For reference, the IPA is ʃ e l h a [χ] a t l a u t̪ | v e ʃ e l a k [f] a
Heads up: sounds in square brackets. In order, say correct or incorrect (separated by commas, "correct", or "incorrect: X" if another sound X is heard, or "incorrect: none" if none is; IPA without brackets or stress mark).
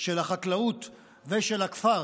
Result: correct, correct